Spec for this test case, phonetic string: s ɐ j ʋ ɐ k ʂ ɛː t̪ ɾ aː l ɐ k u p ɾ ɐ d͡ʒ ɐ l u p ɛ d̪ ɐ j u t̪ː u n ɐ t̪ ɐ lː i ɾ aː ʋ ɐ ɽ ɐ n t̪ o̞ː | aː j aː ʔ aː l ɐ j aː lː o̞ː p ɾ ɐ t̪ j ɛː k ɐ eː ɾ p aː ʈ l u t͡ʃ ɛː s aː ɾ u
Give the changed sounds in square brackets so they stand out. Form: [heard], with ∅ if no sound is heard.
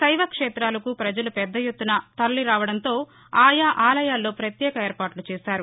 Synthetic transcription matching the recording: s ɐ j ʋ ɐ k ʂ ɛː t̪ ɾ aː l ɐ k u p ɾ ɐ d͡ʒ ɐ l u p ɛ [d̪ː] ɐ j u t̪ː u n ɐ t̪ ɐ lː i ɾ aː ʋ ɐ ɽ ɐ n t̪ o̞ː | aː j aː ʔ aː l ɐ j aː lː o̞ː p ɾ ɐ t̪ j ɛː k ɐ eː ɾ p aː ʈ l u t͡ʃ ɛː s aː ɾ u